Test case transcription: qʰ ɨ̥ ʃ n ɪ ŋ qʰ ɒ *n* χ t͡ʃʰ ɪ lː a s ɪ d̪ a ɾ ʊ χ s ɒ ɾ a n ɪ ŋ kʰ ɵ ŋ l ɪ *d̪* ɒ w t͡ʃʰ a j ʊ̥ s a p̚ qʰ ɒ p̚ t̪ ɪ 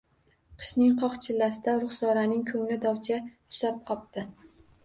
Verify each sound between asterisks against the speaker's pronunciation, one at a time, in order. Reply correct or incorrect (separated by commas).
incorrect, correct